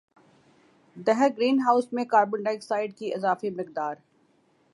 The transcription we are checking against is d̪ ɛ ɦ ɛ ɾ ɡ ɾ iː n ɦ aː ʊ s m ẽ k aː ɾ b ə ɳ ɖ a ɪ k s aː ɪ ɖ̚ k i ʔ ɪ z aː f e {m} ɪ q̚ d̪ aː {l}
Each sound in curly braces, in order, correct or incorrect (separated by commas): correct, incorrect